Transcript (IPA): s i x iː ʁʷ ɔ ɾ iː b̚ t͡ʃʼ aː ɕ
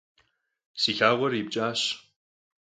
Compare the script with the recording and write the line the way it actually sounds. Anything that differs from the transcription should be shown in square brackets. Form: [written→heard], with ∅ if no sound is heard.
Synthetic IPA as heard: s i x [iː→aː] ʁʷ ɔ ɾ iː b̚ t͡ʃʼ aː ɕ